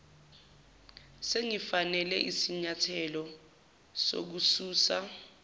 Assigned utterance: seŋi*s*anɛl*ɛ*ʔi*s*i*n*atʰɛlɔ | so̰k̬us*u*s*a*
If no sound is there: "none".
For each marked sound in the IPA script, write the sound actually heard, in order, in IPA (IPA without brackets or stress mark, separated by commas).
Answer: f, ɛ, s, ɲ, uː, a